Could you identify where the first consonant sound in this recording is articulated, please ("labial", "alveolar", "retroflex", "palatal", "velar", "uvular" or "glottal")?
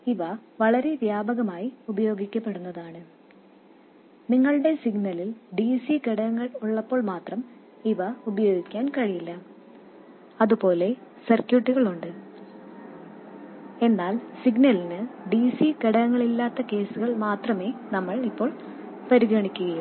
labial